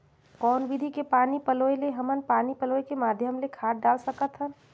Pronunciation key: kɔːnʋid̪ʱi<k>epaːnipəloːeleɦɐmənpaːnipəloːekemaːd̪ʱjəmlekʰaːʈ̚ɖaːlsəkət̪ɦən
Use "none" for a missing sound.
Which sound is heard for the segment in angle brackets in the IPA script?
k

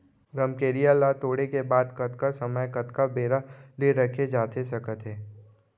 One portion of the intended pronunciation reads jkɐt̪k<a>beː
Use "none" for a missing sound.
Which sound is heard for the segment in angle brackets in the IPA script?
a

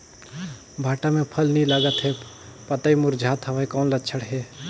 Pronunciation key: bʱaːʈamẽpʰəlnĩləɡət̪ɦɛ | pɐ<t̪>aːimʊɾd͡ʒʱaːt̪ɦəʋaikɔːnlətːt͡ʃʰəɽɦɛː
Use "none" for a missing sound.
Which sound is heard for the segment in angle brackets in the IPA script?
t̪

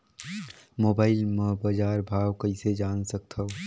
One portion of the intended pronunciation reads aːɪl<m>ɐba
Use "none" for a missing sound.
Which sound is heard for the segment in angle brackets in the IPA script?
m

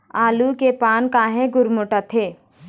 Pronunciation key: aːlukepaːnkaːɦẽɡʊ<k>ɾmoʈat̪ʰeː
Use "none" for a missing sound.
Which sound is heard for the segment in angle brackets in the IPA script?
none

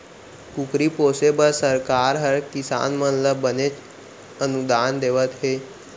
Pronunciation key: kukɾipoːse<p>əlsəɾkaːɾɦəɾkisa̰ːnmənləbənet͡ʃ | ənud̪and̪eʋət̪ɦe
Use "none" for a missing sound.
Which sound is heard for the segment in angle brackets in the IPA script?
b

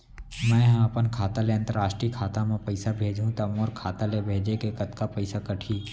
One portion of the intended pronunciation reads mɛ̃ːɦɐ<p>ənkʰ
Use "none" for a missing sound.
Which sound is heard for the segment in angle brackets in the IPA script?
p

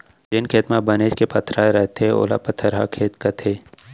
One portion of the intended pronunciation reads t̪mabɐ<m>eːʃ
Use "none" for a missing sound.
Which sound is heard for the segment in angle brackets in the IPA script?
n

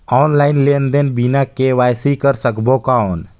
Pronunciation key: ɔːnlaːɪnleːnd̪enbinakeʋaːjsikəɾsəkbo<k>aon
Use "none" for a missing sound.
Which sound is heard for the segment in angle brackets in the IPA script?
k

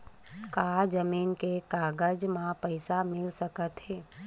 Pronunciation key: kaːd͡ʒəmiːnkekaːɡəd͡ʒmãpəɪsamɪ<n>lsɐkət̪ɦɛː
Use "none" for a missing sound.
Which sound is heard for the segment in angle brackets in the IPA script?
none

